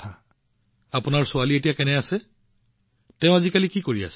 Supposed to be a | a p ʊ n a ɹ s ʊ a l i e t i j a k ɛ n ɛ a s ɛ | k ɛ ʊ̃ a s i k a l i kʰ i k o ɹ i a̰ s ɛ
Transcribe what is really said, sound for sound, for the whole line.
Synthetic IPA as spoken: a | a p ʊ n a ɹ s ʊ a l i e t i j a k ɛ n ɛ a s ɛ | t ɛ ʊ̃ a z i k a l i k i k o ɹ i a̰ s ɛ

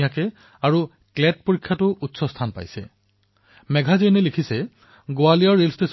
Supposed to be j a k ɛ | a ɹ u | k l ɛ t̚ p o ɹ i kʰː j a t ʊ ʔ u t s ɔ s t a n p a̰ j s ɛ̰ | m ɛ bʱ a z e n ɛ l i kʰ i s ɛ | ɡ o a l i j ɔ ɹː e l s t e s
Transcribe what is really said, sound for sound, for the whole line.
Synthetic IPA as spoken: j a k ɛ | a ɹ u | k l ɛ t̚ p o ɹ i kʰː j a t ʊ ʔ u t s ɔ s tʰ a n p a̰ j s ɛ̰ | m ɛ ɡʱ a z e n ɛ l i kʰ i s ɛ | ɡ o a l i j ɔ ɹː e l s t e s

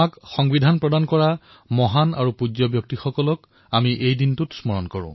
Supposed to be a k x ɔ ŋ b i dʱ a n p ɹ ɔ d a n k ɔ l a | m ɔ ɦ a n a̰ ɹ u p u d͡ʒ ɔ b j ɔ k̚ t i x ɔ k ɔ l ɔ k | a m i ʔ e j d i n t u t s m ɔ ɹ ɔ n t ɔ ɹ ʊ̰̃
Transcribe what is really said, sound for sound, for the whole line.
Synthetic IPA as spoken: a k x ɔ ŋ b i dʱ a n p ɹ ɔ d a n k ɔ ɹ a | m ɔ ɦ a n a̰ ɹ u p u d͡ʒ ɔ b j ɔ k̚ t i x ɔ k ɔ l ɔ k | a m i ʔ e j d i n t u t s m ɔ ɹ ɔ n k ɔ ɹ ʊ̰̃

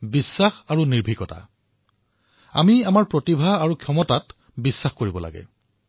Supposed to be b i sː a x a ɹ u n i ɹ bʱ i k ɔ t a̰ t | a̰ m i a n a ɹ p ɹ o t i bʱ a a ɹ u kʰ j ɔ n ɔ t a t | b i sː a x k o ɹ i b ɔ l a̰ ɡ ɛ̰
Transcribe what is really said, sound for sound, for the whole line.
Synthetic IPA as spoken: b i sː a x a ɹ u n i ɹ bʱ i k ɔ t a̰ | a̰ m i a m a ɹ p ɹ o t i bʱ a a ɹ u kʰ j ɔ m ɔ t a t | b i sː a x k o ɹ i b ɔ l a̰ ɡ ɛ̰

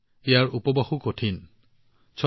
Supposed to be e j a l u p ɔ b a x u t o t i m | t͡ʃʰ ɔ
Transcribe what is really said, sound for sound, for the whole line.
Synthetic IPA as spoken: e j a ɹ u p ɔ b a x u k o tʰ i n | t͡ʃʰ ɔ

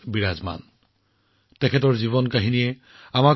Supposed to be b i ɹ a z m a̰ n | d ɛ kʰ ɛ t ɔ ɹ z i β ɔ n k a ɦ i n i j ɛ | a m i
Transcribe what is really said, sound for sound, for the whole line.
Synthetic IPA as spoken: b i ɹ a z m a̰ n | t ɛ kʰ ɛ t ɔ ɹ z i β ɔ n k a ɦ i n i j ɛ | a m a

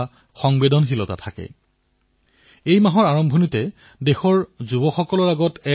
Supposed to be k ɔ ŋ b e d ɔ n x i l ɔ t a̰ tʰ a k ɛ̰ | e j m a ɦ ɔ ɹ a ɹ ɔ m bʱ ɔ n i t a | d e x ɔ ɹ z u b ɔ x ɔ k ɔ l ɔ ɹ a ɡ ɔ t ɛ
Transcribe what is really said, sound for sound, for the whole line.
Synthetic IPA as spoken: x ɔ ŋ b e d ɔ n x i l ɔ t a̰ tʰ a k ɛ̰ | e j m a ɦ ɔ ɹ a ɹ ɔ m bʱ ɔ n i t ɛ | d e x ɔ ɹ z u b ɔ x ɔ k ɔ l ɔ ɹ a ɡ ɔ t ɛ

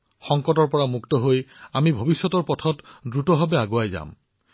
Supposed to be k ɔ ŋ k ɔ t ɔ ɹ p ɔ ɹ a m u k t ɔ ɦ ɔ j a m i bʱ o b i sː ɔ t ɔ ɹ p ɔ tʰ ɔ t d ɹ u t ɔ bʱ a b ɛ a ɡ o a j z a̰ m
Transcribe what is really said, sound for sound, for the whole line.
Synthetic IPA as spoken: x ɔ ŋ k ɔ t ɔ ɹ p ɔ ɹ a m u k t ɔ ɦ o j a m i bʱ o b i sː ɔ t ɔ ɹ p ɔ tʰ ɔ t d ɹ u t ɔ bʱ a b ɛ a ɡ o a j z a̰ m

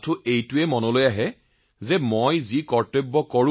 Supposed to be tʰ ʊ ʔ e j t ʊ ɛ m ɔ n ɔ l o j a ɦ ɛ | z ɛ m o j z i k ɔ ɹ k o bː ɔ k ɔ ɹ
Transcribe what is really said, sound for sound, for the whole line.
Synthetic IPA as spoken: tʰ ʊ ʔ e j t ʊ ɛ m ɔ n ɔ l o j a ɦ ɛ | z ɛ m o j z i k ɔ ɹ t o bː ɔ k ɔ ɹ

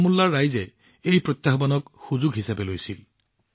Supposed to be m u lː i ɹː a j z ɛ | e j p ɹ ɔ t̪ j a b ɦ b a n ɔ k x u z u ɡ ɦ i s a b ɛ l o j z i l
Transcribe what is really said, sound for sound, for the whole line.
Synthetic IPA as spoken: m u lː a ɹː a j z ɛ | e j p ɹ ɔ t̪ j a ɦ b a n ɔ k x u z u ɡ ɦ i s a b ɛ l o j s i l

